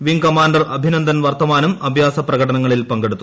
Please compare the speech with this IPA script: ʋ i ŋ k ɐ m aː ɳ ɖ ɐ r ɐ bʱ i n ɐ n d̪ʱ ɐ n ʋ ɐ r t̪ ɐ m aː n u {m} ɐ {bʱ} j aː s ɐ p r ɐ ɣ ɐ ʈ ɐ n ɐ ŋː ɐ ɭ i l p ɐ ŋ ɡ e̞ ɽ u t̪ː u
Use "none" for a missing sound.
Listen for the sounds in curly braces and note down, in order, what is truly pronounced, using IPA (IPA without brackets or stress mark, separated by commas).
m, bʱ